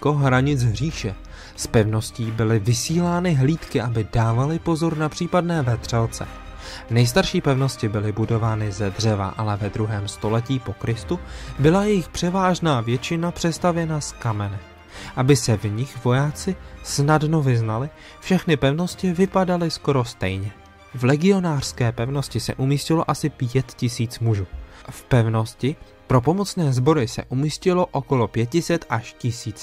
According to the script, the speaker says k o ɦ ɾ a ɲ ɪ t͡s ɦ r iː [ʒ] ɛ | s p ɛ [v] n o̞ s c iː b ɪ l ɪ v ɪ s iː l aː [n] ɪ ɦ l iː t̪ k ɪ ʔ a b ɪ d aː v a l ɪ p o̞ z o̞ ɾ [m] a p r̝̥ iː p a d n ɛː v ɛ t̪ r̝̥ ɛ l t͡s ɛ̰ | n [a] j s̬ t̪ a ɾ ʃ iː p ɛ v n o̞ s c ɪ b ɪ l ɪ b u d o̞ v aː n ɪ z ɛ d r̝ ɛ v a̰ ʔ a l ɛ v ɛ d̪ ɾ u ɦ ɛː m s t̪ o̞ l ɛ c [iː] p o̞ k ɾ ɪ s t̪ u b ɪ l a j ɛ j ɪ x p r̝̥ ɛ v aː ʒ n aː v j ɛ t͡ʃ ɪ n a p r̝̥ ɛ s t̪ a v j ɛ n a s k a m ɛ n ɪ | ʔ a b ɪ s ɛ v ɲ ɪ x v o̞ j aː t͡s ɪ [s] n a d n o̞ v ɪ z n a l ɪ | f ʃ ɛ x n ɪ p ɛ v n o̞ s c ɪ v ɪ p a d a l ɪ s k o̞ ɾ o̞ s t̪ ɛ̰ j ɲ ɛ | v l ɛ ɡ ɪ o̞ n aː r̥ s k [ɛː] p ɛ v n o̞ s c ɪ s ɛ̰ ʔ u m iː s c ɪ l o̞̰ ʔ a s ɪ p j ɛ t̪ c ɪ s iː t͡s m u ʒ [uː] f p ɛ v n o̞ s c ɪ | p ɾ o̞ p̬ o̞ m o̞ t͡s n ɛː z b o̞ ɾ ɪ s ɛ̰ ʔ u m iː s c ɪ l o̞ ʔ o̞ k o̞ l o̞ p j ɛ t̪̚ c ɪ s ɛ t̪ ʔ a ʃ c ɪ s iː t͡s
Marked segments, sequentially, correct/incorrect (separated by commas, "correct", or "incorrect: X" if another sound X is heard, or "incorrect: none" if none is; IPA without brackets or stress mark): incorrect: ʃ, correct, correct, incorrect: n, incorrect: ɛ, correct, correct, correct, correct